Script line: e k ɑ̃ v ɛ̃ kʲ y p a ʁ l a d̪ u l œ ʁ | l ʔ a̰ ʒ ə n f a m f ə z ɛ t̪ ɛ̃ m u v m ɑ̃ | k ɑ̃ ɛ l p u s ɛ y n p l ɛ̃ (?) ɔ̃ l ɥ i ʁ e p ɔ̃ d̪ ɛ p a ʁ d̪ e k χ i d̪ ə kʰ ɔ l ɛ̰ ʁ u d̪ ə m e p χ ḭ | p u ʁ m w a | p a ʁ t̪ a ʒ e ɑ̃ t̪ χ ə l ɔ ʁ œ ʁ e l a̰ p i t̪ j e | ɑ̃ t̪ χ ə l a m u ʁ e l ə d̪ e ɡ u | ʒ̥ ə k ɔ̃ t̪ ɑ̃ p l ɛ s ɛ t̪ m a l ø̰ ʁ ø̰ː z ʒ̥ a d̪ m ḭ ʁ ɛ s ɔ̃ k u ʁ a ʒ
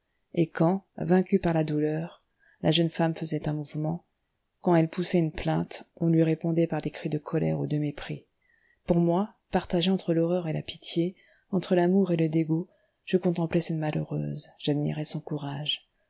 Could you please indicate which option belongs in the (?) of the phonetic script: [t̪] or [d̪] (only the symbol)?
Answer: t̪